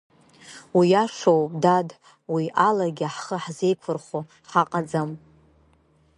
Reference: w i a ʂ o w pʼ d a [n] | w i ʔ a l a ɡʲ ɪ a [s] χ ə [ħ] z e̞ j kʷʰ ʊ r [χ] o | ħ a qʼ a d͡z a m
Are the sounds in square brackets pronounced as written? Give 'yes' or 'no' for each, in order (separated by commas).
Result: no, no, yes, yes